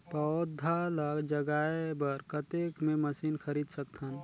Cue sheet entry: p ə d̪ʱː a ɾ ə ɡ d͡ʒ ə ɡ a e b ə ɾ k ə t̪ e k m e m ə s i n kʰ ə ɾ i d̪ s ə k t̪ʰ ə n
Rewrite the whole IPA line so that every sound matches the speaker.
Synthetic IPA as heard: p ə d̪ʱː a l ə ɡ d͡ʒ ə ɡ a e b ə ɾ k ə t̪ e k m e m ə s i n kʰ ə ɾ i d̪ s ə k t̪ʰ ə n